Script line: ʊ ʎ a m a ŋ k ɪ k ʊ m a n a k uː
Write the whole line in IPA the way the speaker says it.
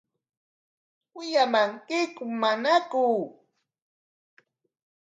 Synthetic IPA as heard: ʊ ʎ a m a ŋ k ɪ k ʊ m a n a k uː